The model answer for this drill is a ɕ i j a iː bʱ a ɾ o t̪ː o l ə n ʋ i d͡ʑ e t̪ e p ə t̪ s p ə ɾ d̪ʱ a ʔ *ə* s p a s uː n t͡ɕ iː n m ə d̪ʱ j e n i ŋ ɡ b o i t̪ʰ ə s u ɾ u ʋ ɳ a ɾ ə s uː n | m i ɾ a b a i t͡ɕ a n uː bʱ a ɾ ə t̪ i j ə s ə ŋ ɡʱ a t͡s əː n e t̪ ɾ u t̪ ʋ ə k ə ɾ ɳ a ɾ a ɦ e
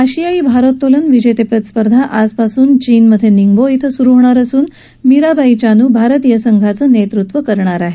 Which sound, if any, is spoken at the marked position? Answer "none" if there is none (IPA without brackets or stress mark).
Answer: a